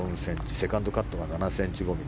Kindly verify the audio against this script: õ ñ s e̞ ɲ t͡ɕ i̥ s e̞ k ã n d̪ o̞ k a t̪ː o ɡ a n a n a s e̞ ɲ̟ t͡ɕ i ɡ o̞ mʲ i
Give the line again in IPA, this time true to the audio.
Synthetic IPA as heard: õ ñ s ẽ̞ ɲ t͡ɕ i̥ s e̞ k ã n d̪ o̞ k a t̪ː o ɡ a n a n a s ẽ̞ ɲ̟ t͡ɕ i ɡ o̞ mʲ i